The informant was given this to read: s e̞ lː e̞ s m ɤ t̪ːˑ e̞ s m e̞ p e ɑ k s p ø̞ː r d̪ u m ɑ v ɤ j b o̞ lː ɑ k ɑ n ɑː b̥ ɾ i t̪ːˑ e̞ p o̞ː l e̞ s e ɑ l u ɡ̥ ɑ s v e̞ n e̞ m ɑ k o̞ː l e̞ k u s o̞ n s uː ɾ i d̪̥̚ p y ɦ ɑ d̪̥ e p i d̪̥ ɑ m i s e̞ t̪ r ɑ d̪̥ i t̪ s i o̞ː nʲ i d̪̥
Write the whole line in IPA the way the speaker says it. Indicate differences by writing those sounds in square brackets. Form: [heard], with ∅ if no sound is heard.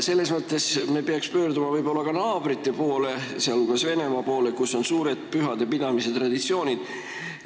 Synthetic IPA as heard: s e̞ lː e̞ s m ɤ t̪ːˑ e̞ s m e̞ p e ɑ k s p ø̞ː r d̪ u m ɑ v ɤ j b o̞ lː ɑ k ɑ n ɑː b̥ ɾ i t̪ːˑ e̞ p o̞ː l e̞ s e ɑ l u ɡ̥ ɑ s v e̞ n e̞ m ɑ [p] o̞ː l e̞ k u s o̞ n s uː ɾ [e] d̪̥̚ p y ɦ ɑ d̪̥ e p i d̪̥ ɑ m i s e̞ t̪ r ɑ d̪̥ i t̪ s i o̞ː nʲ i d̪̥

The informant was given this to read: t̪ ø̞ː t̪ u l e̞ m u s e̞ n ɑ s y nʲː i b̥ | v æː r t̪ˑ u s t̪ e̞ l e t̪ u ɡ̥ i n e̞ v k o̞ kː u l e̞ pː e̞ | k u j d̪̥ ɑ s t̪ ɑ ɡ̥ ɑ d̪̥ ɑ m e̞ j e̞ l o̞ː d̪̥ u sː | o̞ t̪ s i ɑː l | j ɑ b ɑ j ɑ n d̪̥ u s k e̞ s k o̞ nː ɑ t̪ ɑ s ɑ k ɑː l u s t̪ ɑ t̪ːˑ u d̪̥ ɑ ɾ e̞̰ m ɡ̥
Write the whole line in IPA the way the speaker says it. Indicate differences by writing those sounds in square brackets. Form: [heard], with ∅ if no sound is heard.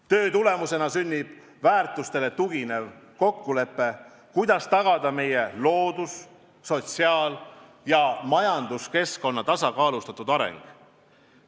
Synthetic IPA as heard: t̪ ø̞ː t̪ u l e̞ m u s e̞ n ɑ s y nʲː i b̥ | v æː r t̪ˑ u s t̪ e̞ l e t̪ u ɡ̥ i n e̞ v k o̞ kː u l e̞ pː e̞ | k u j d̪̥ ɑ s t̪ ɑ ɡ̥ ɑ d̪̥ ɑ m e̞ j e̞ l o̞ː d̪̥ u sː | o̞ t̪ s i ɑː l | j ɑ [m] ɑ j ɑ n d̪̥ u s k e̞ s k o̞ nː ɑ t̪ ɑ s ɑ k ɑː l u s t̪ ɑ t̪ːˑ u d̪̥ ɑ ɾ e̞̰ [ŋ] ɡ̥

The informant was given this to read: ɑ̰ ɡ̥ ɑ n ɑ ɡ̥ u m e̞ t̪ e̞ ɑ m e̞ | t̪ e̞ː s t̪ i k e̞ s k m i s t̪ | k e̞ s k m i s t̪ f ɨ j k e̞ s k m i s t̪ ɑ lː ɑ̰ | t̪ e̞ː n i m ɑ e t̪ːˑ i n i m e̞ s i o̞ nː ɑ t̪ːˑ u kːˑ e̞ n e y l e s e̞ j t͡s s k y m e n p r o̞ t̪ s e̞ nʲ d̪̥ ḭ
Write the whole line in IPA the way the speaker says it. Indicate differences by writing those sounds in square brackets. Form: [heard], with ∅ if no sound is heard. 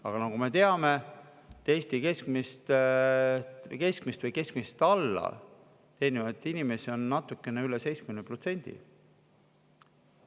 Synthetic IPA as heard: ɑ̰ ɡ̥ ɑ n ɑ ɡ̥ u m e̞ t̪ e̞ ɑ m e̞ | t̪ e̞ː s t̪ i k e̞ s k m i s t̪ | k e̞ s k m i s t̪ [v] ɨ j k e̞ s k m i s t̪ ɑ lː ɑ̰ | t̪ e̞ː n i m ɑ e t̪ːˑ i n i m e̞ s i o̞ nː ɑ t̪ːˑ u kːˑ e̞ n e y l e s e̞ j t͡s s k y m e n p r o̞ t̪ s e̞ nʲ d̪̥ ḭ

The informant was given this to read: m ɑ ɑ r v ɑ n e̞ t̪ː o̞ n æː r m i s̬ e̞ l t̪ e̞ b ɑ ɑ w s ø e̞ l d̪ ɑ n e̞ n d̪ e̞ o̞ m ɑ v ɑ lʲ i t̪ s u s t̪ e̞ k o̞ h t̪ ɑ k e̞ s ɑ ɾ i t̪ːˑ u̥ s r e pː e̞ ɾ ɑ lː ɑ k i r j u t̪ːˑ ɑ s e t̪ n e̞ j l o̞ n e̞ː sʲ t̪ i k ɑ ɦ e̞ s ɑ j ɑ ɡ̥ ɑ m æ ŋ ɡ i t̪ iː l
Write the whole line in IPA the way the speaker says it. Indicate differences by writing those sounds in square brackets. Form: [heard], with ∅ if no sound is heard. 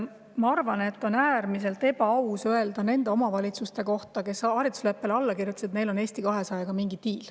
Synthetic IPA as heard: m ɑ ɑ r v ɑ n e̞ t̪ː o̞ n æː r m i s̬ e̞ l t̪ e̞ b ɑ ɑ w s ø e̞ l d̪ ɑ n e̞ n d̪ e̞ o̞ m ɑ v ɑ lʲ i t̪ s u s t̪ e̞ k o̞ h t̪ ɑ k e̞ s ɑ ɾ i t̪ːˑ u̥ s [l] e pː e̞ [l] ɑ lː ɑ k i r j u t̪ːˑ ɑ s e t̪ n e̞ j l o̞ n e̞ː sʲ t̪ i k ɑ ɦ e̞ s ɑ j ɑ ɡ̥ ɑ m [i] ŋ ɡ i t̪ iː l

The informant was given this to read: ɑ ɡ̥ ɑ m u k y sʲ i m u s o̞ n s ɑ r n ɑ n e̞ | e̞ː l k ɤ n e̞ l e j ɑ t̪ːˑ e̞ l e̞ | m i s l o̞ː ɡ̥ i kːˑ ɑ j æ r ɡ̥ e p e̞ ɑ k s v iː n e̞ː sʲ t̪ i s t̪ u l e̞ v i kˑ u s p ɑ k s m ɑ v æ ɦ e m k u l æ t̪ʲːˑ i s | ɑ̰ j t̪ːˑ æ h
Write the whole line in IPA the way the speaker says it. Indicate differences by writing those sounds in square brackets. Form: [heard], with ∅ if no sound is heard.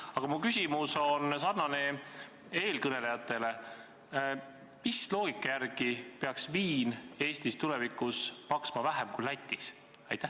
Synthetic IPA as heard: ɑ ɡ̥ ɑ m u k y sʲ i m u s o̞ n s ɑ r n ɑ n e̞ | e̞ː l k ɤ n e̞ l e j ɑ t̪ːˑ e̞ l e̞ | m i s l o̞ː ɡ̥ i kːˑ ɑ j æ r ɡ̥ [i] p e̞ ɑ k s v iː n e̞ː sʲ t̪ i s t̪ u l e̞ v i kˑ u s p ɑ k s m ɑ v æ ɦ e m k u l æ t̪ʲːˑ i s | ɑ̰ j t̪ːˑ æ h

